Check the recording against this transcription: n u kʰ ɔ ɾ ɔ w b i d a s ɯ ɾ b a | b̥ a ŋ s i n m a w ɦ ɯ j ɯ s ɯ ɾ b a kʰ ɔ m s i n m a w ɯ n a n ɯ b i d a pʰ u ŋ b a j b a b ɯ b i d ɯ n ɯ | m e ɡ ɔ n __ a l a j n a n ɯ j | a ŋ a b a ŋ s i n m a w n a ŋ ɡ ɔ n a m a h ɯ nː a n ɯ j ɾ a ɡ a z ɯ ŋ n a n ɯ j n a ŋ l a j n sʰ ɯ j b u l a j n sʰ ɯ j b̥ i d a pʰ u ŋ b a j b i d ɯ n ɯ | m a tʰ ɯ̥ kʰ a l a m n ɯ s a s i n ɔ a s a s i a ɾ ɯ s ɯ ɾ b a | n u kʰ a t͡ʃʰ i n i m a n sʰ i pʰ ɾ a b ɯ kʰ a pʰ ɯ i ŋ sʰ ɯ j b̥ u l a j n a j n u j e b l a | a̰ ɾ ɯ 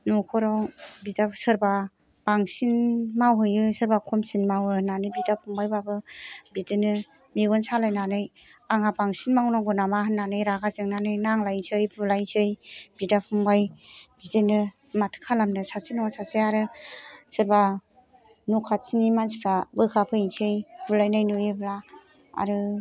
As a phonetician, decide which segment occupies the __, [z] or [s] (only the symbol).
s